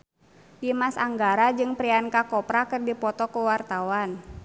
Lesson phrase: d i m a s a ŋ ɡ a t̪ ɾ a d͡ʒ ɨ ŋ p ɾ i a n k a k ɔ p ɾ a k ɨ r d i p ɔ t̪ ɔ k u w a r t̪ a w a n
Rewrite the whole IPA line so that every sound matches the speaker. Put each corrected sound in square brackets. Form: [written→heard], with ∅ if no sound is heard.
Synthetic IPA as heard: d i m a s a ŋ ɡ a [t̪→∅] ɾ a d͡ʒ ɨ ŋ p ɾ i a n k a k ɔ p ɾ a k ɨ r d i p ɔ t̪ ɔ k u w a r t̪ a w a n